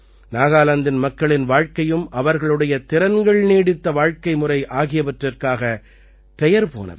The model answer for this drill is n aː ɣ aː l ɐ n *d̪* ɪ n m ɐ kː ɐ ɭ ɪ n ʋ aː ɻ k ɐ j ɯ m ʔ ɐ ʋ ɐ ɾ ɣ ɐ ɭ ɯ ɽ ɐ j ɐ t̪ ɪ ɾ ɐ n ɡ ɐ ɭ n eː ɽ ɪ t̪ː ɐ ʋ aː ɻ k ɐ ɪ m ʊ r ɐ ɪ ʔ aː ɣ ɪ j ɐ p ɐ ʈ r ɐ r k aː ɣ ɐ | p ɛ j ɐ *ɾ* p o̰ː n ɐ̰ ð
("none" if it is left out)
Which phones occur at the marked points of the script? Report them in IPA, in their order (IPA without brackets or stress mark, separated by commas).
d̪, ɾ